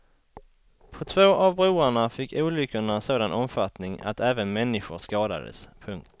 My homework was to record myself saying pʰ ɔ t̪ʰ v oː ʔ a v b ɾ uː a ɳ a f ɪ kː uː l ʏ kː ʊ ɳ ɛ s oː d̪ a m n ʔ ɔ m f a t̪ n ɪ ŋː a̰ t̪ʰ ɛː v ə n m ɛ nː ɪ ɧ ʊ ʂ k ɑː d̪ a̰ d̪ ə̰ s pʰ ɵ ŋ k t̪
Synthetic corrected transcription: pʰ ɔ t̪ʰ v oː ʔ a v b ɾ uː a ɳ a f ɪ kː uː l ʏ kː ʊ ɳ a s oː d̪ a n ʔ ɔ m f a t̪ n ɪ ŋ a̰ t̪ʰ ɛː v ə n m ɛ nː ɪ ɧ ʊ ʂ k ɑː d̪ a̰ d̪ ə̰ s pʰ ɵ ŋ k t̪